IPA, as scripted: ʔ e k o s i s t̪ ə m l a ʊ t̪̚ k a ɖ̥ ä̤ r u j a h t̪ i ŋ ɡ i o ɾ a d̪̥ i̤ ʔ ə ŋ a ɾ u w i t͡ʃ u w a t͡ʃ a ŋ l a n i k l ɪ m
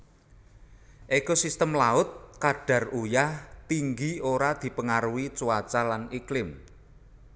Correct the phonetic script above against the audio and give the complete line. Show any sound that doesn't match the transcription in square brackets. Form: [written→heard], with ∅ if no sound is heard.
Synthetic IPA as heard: ʔ e k o s i s t̪ ə m l a ʊ t̪̚ k a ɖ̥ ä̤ r u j a h t̪ i ŋ ɡ i o ɾ a d̪̥ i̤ [ʔ→p] ə ŋ a ɾ u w i t͡ʃ u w a t͡ʃ a [ŋ→∅] l a n i k l ɪ m